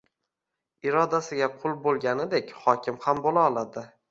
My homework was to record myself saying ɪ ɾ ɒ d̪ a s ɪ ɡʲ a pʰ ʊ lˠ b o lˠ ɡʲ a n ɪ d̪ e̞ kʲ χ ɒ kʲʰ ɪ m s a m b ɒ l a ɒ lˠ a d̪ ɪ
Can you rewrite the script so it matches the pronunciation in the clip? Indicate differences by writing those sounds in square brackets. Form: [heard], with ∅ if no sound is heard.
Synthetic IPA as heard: ɪ ɾ ɒ d̪ a s ɪ ɡʲ a [qʰ] ʊ lˠ b o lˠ ɡʲ a n ɪ d̪ e̞ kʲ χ ɒ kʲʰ ɪ m [h] a m b [o] l a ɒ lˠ a d̪ ɪ